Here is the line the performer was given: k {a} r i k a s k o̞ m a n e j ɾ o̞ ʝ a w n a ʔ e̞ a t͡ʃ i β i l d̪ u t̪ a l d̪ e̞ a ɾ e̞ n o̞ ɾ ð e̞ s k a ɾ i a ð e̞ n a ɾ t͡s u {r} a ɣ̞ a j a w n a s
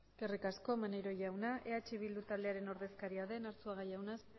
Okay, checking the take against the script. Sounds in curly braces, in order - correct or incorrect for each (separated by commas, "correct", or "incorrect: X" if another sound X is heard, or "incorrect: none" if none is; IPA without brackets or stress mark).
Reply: incorrect: e, incorrect: none